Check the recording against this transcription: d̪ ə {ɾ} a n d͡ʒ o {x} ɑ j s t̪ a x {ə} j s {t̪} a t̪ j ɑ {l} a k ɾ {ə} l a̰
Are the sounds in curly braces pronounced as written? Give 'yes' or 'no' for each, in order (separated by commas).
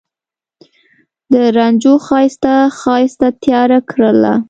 yes, yes, no, yes, no, yes